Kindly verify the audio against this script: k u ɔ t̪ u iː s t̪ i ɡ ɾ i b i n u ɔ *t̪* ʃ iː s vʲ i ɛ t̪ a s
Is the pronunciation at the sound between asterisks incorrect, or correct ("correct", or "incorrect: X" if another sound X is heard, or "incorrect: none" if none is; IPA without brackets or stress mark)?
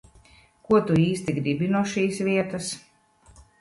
incorrect: none